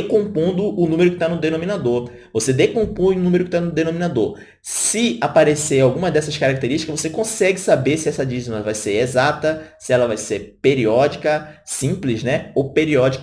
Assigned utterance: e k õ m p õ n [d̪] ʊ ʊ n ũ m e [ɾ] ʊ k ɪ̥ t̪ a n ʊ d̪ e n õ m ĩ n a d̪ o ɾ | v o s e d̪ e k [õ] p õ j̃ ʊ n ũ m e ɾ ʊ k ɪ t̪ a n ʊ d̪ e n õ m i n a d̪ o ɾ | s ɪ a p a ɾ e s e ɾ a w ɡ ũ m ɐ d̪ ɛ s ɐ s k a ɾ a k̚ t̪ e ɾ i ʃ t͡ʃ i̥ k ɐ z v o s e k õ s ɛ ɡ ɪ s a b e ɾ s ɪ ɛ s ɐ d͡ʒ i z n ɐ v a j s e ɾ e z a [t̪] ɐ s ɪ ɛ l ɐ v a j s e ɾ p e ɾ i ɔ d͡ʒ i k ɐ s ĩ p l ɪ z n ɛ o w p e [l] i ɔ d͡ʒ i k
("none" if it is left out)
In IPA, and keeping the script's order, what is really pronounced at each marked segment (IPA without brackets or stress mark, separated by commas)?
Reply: d̪, ɾ, õ, t̪, ɾ